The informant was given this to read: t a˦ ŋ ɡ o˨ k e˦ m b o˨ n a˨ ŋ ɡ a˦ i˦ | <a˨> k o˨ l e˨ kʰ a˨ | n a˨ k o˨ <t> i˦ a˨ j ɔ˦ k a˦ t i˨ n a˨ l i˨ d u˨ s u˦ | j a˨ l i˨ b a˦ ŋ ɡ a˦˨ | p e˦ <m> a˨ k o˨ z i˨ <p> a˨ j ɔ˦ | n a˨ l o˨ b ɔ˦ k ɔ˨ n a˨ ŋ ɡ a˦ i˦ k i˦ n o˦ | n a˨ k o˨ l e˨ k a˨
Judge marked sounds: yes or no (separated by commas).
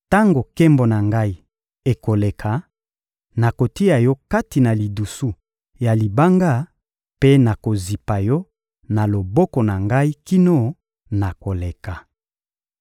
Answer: no, yes, no, yes